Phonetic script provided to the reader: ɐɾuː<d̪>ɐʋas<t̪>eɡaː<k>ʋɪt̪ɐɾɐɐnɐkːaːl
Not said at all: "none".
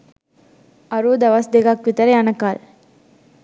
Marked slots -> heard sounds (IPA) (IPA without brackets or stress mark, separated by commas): d̪, d̪, k